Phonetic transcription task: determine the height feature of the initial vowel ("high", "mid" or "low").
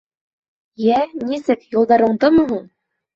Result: low